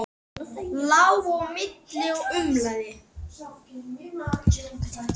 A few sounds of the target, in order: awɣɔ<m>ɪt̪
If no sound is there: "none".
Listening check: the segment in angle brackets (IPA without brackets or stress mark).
m